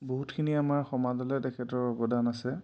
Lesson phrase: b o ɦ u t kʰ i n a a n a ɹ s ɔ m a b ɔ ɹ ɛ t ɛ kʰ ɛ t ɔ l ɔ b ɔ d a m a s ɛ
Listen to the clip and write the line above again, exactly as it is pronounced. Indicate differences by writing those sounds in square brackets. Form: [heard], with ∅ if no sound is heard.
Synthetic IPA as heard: b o ɦ u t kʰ i n [i] a [m] a ɹ [x] ɔ m a [d] ɔ [l] ɛ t ɛ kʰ ɛ t ɔ [ɹ] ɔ b ɔ d a [n] a s ɛ